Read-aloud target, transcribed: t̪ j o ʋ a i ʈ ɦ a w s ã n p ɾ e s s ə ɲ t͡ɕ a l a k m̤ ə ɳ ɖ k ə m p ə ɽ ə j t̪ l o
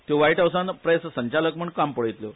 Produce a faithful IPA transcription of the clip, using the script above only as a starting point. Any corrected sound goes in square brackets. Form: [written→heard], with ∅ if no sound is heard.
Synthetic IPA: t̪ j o ʋ a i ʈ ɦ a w s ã n p ɾ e s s ə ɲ t͡ɕ a l [a→ə] k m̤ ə ɳ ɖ k [ə→a] m p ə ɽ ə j t̪ l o

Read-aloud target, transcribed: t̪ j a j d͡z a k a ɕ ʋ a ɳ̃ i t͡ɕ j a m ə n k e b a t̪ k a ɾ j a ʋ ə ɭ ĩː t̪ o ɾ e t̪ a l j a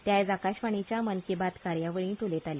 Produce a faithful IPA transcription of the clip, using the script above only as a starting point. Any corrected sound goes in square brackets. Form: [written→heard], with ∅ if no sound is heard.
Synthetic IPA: t̪ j a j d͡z a k a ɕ ʋ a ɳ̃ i t͡ɕ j a m ə n k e b a t̪ k a ɾ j a ʋ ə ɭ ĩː t̪ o [ɾ→l] e t̪ a l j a

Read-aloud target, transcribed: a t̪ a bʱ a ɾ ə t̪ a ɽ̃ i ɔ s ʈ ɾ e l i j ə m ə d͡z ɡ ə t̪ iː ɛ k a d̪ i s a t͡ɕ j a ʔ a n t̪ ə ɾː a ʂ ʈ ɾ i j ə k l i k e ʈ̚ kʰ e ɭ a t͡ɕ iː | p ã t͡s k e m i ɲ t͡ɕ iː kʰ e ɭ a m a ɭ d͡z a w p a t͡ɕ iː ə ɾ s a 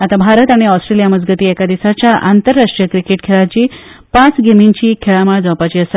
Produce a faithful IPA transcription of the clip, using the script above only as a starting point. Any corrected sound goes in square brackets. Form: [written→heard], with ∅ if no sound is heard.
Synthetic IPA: a t̪ a bʱ a ɾ ə t̪ a ɽ̃ i ɔ s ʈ ɾ e l i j [ə→a] m ə d͡z ɡ ə t̪ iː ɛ k a d̪ i s a t͡ɕ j a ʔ a n t̪ ə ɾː a ʂ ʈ ɾ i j ə k [l→ɾ] i k e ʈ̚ kʰ e ɭ a t͡ɕ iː | p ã t͡s [k→ɡ] e m i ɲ t͡ɕ iː kʰ e ɭ a m a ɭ d͡z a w p a t͡ɕ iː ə [ɾ→∅] s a

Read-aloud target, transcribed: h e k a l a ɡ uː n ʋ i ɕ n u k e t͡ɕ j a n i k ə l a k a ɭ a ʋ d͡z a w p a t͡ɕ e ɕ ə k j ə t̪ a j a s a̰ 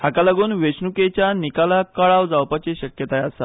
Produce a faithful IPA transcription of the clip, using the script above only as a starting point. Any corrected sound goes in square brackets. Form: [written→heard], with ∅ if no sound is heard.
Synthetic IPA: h [e→a] k a l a ɡ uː n ʋ [i→e] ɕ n u k e t͡ɕ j a n i k [ə→a] l a k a ɭ a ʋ d͡z a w p a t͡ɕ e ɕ ə k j ə t̪ a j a s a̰

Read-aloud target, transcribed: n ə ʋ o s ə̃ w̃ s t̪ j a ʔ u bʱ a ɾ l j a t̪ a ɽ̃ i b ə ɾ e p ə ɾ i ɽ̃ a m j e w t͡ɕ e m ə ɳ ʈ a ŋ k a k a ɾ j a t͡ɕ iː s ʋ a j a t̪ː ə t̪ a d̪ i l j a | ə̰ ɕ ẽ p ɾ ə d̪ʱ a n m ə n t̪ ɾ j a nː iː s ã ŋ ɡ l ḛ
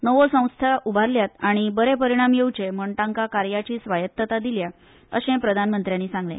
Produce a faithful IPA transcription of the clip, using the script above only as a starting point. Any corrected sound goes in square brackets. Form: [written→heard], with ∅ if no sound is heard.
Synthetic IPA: n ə ʋ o s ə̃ w̃ s [t̪→t̪ʰ] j a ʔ u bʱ a ɾ l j a t̪ a ɽ̃ i b ə ɾ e p ə ɾ i ɽ̃ a m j e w t͡ɕ e m ə ɳ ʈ a ŋ k a k a ɾ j a t͡ɕ iː s ʋ a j [a→ə] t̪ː ə t̪ a d̪ i l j a | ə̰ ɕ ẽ p ɾ ə d̪ʱ a n m ə n t̪ ɾ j a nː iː s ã ŋ ɡ l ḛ

